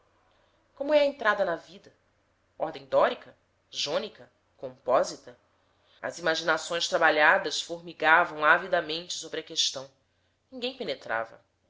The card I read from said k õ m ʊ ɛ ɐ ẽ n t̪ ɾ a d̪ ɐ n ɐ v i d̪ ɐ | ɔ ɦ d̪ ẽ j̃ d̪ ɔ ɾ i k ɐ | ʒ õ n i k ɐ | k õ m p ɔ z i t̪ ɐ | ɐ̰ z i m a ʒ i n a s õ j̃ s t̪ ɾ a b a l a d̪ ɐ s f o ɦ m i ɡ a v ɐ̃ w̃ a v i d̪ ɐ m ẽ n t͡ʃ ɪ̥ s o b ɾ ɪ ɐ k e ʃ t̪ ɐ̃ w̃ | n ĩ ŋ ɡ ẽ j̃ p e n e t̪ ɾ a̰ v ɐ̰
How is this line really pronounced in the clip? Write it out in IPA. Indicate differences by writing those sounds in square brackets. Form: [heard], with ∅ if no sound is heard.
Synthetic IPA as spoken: k õ m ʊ ɛ ɐ ẽ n t̪ ɾ a d̪ ɐ n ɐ v i d̪ ɐ | ɔ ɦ d̪ ẽ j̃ d̪ ɔ ɾ i k ɐ | ʒ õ n i k ɐ | k õ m p ɔ z i t̪ ɐ | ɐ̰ z i m a ʒ i n a s õ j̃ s t̪ ɾ a b a [ʎ] a d̪ ɐ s f o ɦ m i ɡ a v ɐ̃ w̃ a v i d̪ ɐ m ẽ n t͡ʃ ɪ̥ s o b ɾ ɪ ɐ k e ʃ t̪ ɐ̃ w̃ | n ĩ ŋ ɡ ẽ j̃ p e n e t̪ ɾ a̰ v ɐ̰